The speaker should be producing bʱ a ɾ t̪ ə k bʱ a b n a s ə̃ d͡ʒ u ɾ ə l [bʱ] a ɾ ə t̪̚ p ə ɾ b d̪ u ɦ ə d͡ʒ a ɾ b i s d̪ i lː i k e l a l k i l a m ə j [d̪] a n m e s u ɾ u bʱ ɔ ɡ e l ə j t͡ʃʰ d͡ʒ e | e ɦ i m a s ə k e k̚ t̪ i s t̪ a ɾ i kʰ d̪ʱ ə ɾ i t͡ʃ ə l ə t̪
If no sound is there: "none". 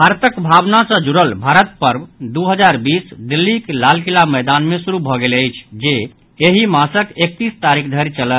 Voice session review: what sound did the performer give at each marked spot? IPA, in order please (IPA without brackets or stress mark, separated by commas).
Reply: bʱ, d̪